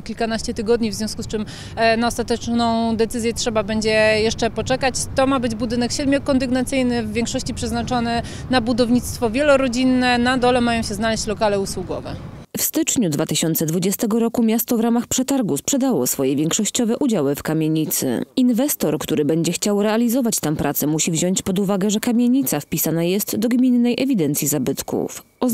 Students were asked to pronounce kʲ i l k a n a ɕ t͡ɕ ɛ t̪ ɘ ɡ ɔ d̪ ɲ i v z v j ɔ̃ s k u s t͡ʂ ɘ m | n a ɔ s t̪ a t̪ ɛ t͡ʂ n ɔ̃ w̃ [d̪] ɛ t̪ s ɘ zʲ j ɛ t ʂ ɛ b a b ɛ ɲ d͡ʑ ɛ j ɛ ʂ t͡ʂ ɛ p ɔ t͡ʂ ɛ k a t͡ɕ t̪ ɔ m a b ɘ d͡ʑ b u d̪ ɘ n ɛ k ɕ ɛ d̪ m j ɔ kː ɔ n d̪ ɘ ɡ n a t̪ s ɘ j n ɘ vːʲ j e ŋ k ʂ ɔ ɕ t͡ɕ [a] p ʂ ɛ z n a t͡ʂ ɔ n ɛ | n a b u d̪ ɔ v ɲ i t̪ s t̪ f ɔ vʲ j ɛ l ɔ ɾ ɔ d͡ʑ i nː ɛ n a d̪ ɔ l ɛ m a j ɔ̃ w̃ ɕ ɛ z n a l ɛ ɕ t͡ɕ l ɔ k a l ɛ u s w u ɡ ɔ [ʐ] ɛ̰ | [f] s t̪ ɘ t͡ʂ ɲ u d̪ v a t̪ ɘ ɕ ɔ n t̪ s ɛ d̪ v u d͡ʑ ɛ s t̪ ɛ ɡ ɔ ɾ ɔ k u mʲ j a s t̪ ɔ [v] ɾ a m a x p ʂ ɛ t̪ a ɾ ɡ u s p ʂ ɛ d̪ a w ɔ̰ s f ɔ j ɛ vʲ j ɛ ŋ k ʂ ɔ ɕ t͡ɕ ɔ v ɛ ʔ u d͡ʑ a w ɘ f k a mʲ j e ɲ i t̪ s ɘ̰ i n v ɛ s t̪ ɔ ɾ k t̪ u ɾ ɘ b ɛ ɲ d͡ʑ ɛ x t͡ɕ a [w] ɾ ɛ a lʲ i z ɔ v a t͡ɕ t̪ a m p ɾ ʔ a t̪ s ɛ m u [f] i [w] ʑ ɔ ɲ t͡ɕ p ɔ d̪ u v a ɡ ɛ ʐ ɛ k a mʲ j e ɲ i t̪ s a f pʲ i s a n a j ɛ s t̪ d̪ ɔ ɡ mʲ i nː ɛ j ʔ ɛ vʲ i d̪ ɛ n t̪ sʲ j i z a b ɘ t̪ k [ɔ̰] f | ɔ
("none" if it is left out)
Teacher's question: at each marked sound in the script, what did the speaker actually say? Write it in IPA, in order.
d̪, i, v, f, v, w, ɕ, v, ṵ

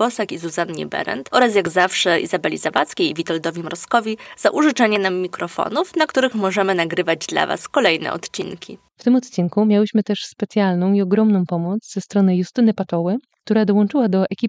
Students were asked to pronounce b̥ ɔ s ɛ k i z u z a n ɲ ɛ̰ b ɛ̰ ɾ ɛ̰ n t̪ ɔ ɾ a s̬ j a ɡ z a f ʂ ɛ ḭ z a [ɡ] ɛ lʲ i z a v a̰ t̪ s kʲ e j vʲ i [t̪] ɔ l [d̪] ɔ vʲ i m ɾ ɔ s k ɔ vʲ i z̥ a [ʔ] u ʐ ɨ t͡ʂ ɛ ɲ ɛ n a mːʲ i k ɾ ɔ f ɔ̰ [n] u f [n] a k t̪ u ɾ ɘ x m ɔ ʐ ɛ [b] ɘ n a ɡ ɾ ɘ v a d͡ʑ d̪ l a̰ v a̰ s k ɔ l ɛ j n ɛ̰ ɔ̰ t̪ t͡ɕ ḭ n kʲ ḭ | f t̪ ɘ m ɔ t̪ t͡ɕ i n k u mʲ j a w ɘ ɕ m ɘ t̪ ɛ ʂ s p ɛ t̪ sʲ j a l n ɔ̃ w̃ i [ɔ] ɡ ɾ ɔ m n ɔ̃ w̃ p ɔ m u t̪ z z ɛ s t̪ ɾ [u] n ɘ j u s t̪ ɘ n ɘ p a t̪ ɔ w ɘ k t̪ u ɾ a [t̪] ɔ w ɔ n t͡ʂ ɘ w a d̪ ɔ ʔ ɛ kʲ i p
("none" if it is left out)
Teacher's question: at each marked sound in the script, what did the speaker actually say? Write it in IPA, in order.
b, t̪, d̪, ʔ, n, n, m, ɔ, ɔ, d̪

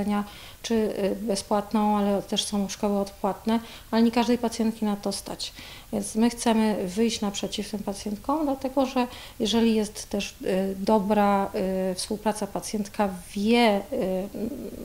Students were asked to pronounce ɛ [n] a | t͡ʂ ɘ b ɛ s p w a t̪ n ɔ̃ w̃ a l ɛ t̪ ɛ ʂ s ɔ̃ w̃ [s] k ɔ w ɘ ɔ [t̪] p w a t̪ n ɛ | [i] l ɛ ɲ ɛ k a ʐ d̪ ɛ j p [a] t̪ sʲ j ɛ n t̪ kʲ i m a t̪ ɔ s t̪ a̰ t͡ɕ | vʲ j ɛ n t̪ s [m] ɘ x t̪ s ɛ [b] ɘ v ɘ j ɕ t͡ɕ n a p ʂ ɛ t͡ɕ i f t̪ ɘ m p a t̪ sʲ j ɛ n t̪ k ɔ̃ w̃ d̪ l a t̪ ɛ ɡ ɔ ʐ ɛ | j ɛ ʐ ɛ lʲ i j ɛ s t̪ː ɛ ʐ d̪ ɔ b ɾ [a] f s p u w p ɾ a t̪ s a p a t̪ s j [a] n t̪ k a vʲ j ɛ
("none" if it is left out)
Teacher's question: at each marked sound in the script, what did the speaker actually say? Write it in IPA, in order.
ɲ, ʂ, t̪, a, a, m, m, a, ɛ

